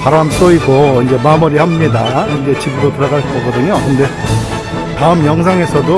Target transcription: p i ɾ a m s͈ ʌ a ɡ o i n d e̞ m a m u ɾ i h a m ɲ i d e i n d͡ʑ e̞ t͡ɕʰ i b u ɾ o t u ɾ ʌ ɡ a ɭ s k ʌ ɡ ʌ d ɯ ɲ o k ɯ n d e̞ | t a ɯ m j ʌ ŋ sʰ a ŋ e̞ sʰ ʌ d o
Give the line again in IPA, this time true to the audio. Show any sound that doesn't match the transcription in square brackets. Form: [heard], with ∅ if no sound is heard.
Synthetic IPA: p [a] ɾ a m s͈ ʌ [i] ɡ o i n [d͡ʑ] e̞ m a m u ɾ i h a m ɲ i d [a] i n d͡ʑ e̞ [t͡ɕ] i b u ɾ o t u ɾ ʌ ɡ a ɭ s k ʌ ɡ ʌ d ɯ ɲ o k ɯ n d e̞ | t a ɯ m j ʌ ŋ sʰ a ŋ e̞ sʰ ʌ d o